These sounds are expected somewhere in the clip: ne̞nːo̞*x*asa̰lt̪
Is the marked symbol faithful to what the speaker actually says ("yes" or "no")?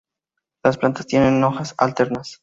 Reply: yes